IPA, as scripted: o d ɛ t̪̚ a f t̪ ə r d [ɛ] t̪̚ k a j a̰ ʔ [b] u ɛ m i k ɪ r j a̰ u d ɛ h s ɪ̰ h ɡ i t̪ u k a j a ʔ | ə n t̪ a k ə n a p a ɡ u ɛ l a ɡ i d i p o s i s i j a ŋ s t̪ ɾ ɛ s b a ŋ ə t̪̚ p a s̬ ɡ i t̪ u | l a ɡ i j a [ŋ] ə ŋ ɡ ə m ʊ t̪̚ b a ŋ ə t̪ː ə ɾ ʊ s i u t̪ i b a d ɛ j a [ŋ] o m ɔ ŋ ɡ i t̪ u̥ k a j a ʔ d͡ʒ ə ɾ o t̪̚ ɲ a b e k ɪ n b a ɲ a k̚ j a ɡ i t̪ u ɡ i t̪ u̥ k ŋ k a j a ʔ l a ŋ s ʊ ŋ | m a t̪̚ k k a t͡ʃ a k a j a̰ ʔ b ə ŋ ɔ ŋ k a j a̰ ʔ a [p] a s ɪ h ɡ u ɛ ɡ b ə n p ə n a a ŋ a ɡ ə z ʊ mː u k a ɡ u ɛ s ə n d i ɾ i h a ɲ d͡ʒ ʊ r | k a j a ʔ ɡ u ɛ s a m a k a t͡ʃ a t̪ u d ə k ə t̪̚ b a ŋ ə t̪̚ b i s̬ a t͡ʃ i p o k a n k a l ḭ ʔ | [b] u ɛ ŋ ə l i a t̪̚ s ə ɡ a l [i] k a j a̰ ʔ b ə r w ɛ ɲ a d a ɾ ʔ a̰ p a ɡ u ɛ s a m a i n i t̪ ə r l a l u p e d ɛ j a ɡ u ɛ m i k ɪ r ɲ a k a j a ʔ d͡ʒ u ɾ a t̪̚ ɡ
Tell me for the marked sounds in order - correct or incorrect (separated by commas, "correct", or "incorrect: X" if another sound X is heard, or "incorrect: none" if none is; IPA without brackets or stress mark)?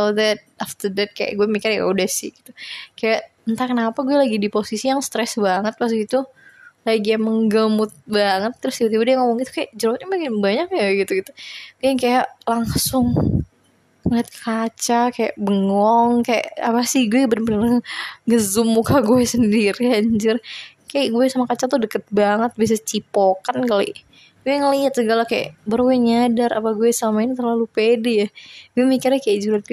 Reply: correct, incorrect: ɡ, incorrect: m, correct, correct, incorrect: ɡ, incorrect: a